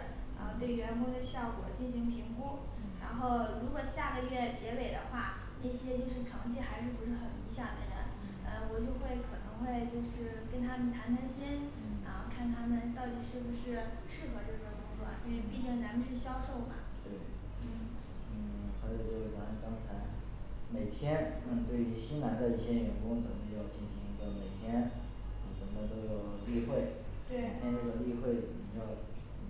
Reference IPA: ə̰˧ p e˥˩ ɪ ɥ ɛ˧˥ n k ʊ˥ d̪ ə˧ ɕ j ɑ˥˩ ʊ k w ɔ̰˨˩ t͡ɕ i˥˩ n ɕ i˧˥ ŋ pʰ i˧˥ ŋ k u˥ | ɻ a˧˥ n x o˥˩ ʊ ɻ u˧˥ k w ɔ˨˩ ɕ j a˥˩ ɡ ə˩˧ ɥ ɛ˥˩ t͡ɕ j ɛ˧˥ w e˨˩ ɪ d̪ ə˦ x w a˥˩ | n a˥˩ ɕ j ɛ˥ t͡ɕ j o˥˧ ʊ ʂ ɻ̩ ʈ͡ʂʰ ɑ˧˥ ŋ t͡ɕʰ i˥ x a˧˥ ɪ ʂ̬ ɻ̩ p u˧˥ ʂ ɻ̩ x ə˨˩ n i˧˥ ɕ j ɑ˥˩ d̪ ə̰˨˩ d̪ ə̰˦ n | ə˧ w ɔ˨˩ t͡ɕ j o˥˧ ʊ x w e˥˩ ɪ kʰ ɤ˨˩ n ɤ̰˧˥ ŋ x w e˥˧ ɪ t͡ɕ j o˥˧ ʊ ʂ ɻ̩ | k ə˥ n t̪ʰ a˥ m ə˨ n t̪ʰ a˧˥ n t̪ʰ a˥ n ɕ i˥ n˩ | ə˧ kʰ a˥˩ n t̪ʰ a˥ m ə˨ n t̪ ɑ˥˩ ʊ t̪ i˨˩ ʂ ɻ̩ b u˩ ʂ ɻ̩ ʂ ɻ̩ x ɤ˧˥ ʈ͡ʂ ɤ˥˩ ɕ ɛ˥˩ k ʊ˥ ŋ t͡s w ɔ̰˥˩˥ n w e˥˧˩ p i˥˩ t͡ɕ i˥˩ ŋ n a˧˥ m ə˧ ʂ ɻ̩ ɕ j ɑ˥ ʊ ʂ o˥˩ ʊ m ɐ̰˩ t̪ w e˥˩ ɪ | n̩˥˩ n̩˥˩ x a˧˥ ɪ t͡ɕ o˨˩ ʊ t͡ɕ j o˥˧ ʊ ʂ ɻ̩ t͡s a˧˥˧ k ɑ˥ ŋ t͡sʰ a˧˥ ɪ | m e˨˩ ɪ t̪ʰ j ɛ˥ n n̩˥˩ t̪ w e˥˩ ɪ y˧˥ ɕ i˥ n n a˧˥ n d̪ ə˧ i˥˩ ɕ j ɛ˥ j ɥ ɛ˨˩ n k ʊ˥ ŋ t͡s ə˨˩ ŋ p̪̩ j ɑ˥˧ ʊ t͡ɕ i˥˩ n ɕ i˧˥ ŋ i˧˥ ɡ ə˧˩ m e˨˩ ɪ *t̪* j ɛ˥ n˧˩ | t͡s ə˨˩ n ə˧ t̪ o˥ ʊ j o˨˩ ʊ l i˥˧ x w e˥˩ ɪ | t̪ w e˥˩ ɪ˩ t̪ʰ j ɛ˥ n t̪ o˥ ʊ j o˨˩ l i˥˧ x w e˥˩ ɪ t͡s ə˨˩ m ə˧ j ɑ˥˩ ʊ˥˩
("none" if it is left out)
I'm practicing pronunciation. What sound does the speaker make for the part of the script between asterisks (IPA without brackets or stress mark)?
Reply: t̪ʰ